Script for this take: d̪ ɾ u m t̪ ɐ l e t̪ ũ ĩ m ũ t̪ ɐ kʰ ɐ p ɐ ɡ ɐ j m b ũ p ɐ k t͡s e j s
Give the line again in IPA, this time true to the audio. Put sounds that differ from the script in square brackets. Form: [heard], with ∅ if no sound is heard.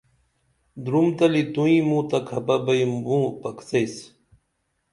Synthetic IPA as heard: d̪ ɾ u m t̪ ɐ l [i] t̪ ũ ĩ m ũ t̪ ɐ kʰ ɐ p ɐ [b] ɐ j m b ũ p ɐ k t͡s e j s